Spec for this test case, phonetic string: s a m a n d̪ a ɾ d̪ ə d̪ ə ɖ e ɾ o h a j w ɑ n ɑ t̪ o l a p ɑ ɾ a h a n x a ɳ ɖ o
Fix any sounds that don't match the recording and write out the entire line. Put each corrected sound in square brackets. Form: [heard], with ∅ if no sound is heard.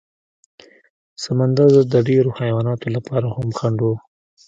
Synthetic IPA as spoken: s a m a n d̪ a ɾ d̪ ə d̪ ə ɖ e ɾ o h a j w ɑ n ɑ t̪ o l a p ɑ ɾ a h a [m] x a ɳ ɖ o